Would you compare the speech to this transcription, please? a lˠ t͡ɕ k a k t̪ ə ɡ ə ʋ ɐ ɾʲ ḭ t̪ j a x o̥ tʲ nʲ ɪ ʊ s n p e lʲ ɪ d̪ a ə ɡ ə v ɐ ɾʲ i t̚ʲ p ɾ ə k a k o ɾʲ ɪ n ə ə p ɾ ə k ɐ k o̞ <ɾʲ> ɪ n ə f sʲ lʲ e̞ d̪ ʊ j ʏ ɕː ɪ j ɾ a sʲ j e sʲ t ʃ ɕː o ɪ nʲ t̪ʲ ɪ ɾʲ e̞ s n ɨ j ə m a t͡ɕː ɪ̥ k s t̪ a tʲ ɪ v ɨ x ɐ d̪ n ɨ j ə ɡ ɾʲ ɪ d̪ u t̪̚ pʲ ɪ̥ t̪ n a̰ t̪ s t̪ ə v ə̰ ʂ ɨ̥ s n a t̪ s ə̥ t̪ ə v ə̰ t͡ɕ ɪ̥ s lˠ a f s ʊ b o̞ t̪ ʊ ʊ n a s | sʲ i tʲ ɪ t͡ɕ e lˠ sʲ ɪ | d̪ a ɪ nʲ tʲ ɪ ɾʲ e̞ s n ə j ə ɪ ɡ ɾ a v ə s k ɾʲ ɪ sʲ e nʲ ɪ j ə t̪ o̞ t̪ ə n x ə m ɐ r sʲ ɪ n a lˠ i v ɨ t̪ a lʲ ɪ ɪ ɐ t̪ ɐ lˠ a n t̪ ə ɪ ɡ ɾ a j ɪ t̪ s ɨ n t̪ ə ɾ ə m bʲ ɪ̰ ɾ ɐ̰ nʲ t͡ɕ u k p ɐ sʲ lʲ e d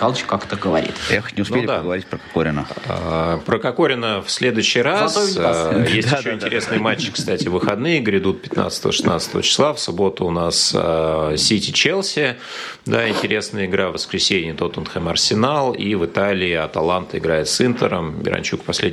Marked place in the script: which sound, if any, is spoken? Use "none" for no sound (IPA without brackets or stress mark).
ɾʲ